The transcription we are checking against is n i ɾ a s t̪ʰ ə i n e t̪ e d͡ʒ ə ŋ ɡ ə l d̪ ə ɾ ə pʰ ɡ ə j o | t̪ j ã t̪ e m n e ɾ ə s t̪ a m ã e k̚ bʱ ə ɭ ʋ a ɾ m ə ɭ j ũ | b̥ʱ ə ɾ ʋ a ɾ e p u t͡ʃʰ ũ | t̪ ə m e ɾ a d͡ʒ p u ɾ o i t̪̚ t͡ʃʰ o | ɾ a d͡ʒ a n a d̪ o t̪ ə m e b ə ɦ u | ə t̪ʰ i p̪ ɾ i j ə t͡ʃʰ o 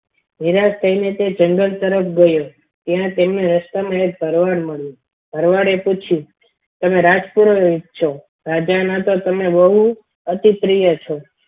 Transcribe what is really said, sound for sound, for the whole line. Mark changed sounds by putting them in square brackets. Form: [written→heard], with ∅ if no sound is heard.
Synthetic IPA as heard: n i ɾ a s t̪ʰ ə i n e t̪ e d͡ʒ ə ŋ ɡ ə l [d̪→t̪] ə ɾ ə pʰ ɡ ə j o | t̪ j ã t̪ e m n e ɾ ə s t̪ a m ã e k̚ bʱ ə [ɭ→ɾ] ʋ a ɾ m ə ɭ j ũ | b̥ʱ ə ɾ ʋ a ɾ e p u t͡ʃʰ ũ | t̪ ə m e ɾ a d͡ʒ p u ɾ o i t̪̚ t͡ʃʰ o | ɾ a d͡ʒ a n a [d̪→t̪] o t̪ ə m e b ə ɦ u | ə [t̪ʰ→t̪] i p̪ ɾ i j ə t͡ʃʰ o